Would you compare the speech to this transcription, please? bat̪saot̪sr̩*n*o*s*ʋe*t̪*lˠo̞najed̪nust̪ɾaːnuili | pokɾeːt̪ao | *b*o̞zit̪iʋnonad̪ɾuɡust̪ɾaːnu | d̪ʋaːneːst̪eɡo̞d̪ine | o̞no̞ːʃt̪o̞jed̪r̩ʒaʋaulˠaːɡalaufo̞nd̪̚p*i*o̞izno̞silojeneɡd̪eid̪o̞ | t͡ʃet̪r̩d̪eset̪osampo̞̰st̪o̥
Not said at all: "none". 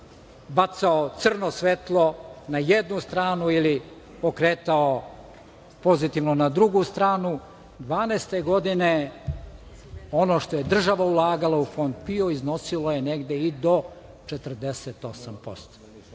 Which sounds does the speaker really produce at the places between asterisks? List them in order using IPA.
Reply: n, s, t̪, p, i

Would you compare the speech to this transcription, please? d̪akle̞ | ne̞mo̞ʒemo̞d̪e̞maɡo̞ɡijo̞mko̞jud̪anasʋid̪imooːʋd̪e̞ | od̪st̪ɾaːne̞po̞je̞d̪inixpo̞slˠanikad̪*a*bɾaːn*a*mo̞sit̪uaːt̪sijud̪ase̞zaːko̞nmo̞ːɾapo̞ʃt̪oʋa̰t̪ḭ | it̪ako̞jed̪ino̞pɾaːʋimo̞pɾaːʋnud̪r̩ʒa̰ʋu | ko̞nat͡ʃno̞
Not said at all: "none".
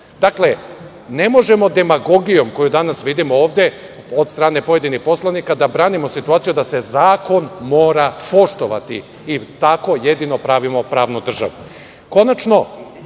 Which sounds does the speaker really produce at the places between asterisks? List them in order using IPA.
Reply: a, i

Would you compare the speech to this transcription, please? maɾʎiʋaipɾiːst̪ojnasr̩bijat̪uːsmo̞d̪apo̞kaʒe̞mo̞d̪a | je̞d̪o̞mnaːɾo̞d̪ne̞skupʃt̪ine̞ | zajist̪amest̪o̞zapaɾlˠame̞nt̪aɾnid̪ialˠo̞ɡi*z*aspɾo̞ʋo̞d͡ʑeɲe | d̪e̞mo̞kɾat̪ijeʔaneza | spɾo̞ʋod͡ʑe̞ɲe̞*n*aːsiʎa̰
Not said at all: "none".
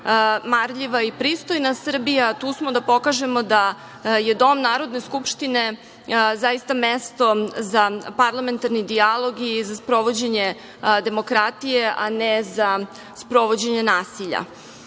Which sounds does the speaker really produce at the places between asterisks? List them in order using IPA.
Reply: z, n

